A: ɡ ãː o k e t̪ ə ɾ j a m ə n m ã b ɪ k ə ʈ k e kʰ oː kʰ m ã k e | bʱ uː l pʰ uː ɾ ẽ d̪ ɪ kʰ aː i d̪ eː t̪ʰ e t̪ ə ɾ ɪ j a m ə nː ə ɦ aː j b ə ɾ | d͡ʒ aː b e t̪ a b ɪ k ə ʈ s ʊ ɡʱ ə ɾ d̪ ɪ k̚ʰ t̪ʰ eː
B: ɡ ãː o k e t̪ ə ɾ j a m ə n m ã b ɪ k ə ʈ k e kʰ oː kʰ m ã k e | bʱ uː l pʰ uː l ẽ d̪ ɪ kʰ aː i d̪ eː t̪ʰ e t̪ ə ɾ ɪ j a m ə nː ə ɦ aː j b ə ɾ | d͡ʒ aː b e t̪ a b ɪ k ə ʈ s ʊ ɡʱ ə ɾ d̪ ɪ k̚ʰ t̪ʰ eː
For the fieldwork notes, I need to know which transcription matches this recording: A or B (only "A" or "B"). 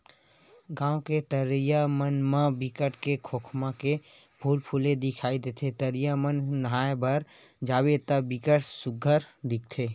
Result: B